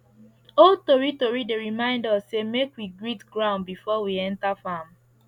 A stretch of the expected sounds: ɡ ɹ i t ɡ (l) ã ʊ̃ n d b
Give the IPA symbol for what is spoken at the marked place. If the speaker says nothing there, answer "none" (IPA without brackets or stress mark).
ɹ